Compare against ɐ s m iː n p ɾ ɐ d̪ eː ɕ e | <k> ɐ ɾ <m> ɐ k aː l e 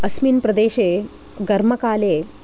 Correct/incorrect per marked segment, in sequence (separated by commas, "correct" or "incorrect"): incorrect, correct